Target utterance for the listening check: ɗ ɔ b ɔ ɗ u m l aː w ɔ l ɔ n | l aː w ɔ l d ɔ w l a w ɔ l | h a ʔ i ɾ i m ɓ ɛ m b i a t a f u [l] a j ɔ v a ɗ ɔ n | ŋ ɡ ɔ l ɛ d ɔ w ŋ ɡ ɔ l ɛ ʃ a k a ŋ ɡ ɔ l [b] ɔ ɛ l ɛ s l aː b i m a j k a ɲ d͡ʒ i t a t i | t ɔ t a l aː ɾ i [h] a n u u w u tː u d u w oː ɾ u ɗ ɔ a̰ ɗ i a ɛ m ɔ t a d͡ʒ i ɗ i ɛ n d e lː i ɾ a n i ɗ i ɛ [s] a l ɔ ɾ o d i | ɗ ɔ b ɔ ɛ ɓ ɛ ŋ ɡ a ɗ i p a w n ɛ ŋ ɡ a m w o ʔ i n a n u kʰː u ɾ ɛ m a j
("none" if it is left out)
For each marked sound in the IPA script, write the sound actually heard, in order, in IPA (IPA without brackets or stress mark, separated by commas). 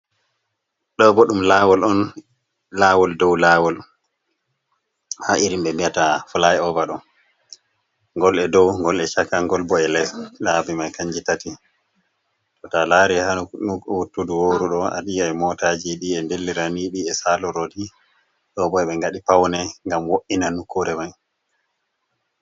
l, b, h, s